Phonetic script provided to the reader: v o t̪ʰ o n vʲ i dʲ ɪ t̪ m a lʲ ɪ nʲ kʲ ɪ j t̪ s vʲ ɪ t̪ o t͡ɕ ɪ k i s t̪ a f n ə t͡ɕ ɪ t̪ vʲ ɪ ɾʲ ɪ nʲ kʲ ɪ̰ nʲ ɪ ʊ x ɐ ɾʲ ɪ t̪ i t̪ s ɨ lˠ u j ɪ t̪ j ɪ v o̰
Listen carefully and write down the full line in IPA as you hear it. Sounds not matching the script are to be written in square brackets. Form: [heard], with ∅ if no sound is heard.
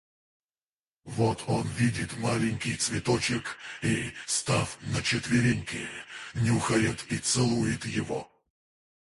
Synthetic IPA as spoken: v o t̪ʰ o n vʲ i dʲ ɪ t̪ m a lʲ ɪ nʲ kʲ ɪ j t̪ s vʲ ɪ t̪ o t͡ɕ ɪ k i s t̪ a f n ə t͡ɕ ɪ t̪ vʲ ɪ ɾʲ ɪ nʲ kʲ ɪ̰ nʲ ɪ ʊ x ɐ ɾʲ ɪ t̪ i t̪ s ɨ lˠ u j ɪ t̪ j ɪ v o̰